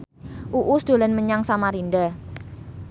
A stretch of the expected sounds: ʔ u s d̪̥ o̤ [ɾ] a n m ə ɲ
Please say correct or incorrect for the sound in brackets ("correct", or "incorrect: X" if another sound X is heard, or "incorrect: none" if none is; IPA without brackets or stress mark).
incorrect: l